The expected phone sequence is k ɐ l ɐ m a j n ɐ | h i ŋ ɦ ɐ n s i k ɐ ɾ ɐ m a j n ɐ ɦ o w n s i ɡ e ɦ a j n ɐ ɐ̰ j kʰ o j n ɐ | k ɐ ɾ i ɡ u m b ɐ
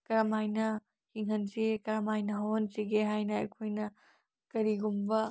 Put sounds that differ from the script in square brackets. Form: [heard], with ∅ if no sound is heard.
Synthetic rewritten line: k ɐ [ɾ] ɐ m a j n ɐ | h i ŋ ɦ ɐ n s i k ɐ ɾ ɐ m a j n ɐ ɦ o w n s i ɡ e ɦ a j n ɐ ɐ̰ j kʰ o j n ɐ | k ɐ ɾ i ɡ u m b ɐ